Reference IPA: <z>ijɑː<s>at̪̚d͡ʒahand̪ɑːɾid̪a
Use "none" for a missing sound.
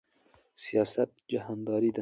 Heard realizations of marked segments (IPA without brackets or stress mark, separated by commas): s, s